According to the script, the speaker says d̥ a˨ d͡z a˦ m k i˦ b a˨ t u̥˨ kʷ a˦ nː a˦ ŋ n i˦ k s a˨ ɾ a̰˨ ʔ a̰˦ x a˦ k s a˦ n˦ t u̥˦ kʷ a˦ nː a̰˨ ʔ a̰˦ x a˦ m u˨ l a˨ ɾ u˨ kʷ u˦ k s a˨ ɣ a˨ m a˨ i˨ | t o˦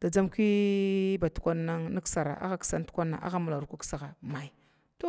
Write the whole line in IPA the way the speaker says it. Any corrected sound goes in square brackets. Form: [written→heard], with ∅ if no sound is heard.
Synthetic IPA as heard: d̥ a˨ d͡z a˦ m k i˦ b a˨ t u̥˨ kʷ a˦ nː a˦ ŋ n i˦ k s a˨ ɾ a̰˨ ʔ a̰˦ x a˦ k s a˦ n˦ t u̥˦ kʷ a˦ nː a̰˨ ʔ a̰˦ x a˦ m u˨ l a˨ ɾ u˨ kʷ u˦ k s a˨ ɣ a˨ m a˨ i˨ | t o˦